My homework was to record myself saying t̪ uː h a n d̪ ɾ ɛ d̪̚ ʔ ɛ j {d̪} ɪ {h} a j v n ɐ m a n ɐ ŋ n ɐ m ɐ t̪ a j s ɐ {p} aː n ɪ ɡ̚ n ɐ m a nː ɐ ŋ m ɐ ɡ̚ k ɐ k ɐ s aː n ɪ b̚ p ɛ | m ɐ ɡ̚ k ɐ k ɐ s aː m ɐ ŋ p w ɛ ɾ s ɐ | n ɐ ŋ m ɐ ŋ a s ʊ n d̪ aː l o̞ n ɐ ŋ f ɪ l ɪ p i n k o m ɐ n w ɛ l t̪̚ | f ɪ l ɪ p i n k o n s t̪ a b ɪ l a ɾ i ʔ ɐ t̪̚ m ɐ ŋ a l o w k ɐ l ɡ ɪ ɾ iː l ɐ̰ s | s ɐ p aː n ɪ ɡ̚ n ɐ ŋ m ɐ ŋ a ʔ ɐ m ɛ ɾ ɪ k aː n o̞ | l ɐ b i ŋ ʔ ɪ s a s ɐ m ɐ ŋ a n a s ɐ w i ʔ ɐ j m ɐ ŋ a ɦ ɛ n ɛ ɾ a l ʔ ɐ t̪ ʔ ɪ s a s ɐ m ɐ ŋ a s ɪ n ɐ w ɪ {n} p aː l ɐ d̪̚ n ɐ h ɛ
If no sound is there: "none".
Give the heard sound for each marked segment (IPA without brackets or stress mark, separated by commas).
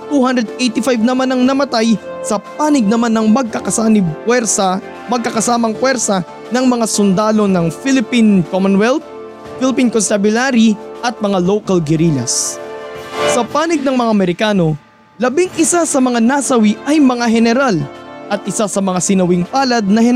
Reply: t̪, f, p, ŋ